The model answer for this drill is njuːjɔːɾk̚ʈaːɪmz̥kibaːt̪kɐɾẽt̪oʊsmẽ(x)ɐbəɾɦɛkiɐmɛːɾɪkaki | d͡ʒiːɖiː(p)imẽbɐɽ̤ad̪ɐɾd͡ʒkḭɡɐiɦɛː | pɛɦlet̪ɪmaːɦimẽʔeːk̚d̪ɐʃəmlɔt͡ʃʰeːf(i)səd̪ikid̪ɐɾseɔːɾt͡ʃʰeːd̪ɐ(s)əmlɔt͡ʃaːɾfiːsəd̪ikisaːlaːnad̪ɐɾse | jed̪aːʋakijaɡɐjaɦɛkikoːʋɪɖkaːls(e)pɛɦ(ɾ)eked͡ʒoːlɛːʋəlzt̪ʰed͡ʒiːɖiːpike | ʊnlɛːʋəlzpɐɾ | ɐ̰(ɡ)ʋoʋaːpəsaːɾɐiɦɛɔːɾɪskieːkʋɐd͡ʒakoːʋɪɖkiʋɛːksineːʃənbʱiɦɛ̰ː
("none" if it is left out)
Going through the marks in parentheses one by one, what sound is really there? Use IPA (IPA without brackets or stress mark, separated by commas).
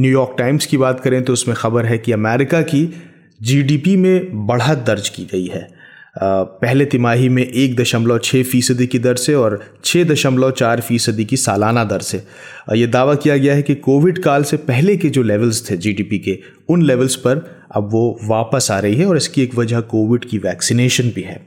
x, p, iː, ʃ, e, l, b